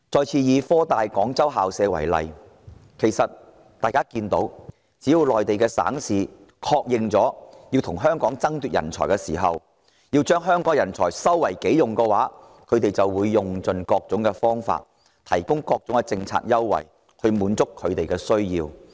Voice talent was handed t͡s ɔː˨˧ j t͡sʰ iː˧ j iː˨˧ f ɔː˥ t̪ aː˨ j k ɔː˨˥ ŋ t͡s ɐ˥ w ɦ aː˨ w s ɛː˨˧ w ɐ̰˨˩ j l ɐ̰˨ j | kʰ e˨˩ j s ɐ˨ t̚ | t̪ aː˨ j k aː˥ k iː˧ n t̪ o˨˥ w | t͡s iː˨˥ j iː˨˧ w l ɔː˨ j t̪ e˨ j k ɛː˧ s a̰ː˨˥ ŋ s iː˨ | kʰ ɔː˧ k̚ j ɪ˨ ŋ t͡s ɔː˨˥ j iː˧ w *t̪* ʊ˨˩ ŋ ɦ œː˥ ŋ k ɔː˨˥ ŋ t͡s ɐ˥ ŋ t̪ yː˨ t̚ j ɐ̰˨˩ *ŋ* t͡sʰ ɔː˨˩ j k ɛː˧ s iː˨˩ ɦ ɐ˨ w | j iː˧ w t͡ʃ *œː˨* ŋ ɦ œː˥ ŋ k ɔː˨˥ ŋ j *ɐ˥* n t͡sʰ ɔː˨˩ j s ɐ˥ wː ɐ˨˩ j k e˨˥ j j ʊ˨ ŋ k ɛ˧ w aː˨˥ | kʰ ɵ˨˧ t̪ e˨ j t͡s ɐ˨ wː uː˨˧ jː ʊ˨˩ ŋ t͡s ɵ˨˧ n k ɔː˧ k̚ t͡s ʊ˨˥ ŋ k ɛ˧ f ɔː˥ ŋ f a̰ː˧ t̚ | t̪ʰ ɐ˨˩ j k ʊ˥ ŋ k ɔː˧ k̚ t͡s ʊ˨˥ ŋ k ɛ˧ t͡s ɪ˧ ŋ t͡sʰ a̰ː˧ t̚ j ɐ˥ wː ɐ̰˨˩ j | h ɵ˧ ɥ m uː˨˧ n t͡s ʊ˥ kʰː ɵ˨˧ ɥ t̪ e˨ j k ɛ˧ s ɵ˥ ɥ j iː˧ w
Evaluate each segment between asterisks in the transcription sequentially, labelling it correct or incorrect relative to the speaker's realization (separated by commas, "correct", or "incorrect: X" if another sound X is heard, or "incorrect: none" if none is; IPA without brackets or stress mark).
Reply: incorrect: t̪ʰ, incorrect: n, incorrect: œː˥, incorrect: ɐ˨˩